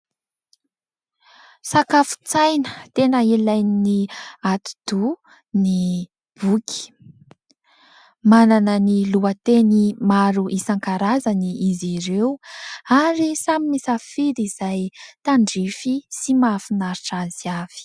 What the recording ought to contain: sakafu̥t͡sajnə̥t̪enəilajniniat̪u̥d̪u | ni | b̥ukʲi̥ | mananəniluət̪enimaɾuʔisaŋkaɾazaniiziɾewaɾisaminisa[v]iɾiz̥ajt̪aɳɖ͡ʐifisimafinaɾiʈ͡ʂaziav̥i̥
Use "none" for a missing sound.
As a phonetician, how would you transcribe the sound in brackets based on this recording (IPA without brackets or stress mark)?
f